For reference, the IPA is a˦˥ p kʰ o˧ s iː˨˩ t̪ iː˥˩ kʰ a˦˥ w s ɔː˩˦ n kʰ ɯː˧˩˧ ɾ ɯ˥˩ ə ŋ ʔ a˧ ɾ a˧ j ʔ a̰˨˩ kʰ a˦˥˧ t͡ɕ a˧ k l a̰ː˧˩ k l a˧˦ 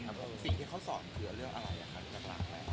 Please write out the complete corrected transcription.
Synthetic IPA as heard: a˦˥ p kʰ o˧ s i˨˩ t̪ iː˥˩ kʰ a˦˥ w s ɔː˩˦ n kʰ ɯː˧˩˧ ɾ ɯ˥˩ ə ŋ ʔ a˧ ɾ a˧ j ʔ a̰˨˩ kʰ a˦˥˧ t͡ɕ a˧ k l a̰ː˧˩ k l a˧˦